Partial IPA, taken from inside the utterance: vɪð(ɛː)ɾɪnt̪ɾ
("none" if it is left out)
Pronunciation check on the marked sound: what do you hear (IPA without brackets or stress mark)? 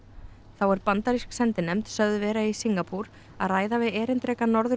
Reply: ɛː